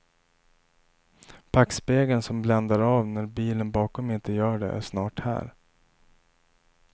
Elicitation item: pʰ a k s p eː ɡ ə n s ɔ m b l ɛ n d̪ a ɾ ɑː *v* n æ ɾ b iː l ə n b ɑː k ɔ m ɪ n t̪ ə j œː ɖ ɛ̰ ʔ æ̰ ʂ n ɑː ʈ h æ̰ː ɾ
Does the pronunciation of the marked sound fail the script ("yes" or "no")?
no